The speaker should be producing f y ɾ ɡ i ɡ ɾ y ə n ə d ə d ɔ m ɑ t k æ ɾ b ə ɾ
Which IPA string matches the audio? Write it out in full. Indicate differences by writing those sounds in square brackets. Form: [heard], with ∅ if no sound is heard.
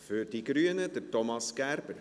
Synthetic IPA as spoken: f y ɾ [d] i ɡ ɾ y ə n ə d ə [t] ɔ m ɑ [s] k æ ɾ b ə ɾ